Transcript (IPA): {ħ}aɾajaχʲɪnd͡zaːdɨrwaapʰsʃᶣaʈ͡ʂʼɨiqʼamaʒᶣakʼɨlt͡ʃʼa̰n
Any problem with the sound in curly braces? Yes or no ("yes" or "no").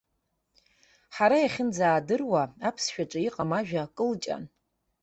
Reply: no